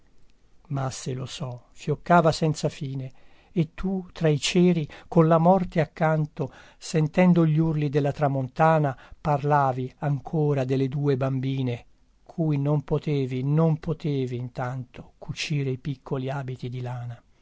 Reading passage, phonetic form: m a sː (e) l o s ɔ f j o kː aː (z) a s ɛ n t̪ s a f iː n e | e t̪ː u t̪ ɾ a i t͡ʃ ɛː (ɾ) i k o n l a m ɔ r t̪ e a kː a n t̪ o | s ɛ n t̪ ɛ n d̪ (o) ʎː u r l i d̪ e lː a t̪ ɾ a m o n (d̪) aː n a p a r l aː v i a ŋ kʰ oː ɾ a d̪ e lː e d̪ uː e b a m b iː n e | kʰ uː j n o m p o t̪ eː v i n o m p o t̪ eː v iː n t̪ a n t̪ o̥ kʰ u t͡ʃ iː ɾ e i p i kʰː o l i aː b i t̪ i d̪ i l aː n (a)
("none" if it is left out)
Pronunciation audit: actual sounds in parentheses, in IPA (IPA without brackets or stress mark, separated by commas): e, v, ɾ, o, t̪, a